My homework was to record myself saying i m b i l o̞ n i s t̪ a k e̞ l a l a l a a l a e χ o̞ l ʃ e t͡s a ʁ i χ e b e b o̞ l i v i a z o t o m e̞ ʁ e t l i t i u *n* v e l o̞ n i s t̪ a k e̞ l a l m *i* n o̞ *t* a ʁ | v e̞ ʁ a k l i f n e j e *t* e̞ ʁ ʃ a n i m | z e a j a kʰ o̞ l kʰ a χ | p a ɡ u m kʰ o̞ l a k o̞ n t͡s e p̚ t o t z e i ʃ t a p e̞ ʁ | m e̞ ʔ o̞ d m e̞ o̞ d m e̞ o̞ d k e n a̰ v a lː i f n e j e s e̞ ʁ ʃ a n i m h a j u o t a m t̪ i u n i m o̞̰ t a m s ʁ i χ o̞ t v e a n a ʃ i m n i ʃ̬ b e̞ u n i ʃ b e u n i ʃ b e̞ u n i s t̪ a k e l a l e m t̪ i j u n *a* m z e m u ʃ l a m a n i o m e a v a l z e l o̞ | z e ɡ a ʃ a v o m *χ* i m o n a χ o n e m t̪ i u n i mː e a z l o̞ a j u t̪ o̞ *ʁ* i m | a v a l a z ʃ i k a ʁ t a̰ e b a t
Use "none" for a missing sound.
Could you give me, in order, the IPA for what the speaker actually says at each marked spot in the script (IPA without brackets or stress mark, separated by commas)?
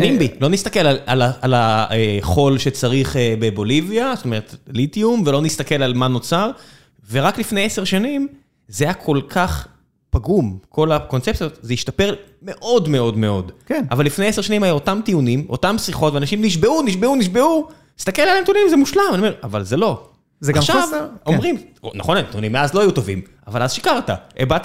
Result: m, a, t͡s, s, i, ʁ, v